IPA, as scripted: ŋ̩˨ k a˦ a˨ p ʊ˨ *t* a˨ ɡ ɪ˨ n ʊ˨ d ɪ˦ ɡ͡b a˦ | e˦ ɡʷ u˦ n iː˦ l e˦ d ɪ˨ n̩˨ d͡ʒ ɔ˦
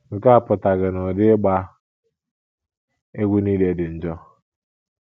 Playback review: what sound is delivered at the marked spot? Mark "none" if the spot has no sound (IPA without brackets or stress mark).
t